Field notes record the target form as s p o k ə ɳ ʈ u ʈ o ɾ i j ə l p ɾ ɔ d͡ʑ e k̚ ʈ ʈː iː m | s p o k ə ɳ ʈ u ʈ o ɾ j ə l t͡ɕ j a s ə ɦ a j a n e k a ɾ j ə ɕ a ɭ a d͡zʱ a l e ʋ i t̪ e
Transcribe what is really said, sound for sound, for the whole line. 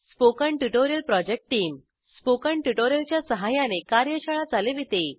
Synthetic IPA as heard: s p o k ə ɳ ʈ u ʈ o ɾ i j ə l p ɾ ɔ d͡ʑ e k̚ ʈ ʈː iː m | s p o k ə ɳ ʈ u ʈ o ɾ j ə l t͡ɕ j a s ə ɦ a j a n e k a ɾ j ə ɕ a ɭ a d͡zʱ a l e ʋ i t̪ e

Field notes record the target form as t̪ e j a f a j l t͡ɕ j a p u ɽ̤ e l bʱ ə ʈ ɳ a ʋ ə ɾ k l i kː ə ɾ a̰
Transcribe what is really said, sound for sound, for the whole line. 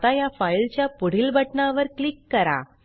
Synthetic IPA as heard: t̪ a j a f a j l t͡ɕ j a p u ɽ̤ i l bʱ ə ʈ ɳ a ʋ ə ɾ k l i kː ə ɾ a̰

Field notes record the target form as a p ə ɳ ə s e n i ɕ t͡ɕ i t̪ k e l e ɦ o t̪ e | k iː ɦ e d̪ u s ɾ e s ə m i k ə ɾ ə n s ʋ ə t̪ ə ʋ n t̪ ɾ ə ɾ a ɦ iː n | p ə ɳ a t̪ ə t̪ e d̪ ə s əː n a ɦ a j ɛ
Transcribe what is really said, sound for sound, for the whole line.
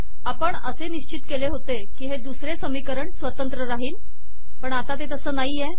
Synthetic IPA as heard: a p ə ɳ ə s e n i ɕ t͡ɕ i t̪ k e l e ɦ o t̪ e | k iː ɦ e d̪ u s ɾ e s ə m i k ə ɾ ə ɳ s ʋ ə t̪ ə n t̪ ɾ ə ɾ a ɦ iː n | p ə ɳ a t̪ a t̪ e t̪ ə s əː n a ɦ i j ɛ

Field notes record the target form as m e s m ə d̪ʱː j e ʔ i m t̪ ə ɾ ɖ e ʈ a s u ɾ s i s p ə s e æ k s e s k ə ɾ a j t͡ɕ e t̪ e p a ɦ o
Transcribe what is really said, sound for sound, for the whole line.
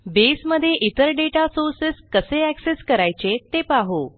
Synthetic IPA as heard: b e s m ə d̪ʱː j e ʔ i t̪ ə ɾ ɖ e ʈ a s o ɾ s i s k ə s e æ k s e s k ə ɾ a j t͡ɕ e t̪ e p a ɦ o

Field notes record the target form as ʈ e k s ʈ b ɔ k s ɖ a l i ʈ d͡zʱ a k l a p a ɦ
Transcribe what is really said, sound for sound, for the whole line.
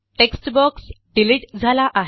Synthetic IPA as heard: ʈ e k s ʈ b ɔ k s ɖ i l i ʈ d͡zʱ a l a ʔ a ɦ

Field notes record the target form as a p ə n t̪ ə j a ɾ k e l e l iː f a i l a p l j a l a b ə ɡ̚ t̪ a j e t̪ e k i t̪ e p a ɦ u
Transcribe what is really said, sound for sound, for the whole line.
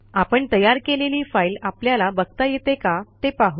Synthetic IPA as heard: a p ə ɳ t̪ ə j a ɾ k e l e l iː f a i l a p l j a l a b ə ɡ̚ t̪ a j e t̪ e k a t̪ e p a ɦ u

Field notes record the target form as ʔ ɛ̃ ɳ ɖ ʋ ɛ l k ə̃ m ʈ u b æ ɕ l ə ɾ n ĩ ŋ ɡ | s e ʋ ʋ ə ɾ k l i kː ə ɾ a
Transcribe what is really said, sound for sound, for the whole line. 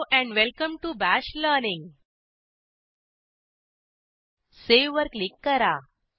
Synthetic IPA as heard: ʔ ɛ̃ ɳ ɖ ʋ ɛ l k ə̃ m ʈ u b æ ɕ l ə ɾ n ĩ ŋ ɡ | s e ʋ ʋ ə ɾ k l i kː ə ɾ a

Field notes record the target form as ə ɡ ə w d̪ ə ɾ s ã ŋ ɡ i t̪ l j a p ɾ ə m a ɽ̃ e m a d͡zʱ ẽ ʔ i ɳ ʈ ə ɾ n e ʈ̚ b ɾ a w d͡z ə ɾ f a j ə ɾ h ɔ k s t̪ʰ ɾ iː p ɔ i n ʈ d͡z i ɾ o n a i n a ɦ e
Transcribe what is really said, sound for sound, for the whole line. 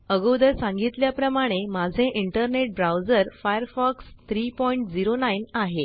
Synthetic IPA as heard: ə ɡ ə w d̪ ə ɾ s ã ŋ ɡ i t̪ l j a p ɾ ə m a ɽ̃ e m a d͡zʱ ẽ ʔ i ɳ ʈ ə ɾ n e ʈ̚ b ɾ a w d͡z ə ɾ f a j ə ɾ f ɔ k s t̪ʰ ɾ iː p ɔ i ɳ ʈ d͡z i ɾ o n a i n a ɦ e

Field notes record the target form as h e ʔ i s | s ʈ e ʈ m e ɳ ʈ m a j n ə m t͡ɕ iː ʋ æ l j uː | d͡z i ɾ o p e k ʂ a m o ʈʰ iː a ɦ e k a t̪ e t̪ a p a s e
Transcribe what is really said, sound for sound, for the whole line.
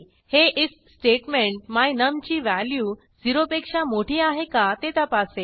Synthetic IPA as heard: h e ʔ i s | s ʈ e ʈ m e ɳ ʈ m a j n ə m t͡ɕ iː ʋ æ l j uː | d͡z i ɾ o p e k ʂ a m o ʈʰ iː a ɦ e k a t̪ e t̪ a p a s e

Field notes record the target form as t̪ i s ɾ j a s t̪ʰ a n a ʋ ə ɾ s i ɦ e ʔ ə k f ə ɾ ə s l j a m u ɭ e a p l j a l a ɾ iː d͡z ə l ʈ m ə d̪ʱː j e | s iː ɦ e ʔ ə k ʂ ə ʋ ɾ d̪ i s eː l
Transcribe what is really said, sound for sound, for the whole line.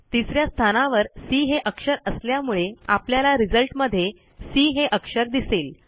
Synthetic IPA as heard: t̪ i s ɾ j a s t̪ʰ a n a ʋ ə ɾ s i ɦ e ʔ ə k ʂ ə ɾ ə s l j a m u ɭ e a p l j a l a ɾ i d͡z ə l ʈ m ə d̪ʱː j e | s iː ɦ e ʔ ə k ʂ ə ɾ d̪ i s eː l

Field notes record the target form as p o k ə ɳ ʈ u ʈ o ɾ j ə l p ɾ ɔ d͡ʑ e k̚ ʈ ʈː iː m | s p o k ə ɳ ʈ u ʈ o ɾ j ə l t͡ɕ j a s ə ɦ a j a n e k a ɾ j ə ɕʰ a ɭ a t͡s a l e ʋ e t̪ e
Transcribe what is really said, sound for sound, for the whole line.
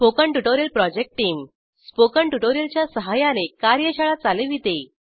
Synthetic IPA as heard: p o k ə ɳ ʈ u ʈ o ɾ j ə l p ɾ ɔ d͡ʑ e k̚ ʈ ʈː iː m | s p o k ə ɳ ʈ u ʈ o ɾ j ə l t͡ɕ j a s ə ɦ a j a n e k a ɾ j ə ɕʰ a ɭ a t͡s a l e ʋ i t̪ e

